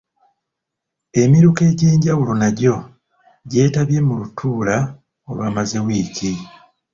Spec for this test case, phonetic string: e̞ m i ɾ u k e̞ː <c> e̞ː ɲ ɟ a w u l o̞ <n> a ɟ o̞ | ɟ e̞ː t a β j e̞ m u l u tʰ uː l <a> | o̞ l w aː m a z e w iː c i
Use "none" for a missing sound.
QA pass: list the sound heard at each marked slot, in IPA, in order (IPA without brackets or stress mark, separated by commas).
ɟ, n, a